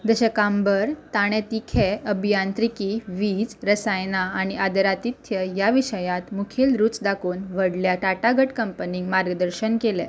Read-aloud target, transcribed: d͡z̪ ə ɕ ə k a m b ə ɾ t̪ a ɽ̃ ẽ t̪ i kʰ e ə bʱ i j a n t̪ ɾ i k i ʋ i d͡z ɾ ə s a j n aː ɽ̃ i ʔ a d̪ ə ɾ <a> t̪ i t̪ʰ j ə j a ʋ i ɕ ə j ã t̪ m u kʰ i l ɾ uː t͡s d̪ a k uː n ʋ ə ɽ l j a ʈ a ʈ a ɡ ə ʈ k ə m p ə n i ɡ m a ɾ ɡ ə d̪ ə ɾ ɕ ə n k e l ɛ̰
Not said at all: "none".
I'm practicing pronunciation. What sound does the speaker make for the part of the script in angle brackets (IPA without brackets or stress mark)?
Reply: a